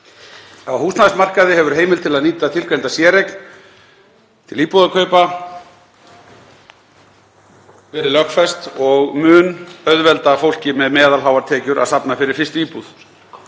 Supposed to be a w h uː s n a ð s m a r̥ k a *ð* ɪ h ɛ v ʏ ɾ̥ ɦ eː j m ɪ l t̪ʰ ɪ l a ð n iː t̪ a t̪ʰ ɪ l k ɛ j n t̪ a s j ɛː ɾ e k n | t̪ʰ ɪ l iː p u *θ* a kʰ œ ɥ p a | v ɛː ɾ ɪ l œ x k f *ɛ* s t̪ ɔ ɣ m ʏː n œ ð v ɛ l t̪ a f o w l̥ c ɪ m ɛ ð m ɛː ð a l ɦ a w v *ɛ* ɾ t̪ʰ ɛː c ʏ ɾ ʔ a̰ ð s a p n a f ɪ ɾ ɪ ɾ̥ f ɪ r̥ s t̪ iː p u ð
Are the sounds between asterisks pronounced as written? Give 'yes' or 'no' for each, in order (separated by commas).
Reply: yes, no, yes, no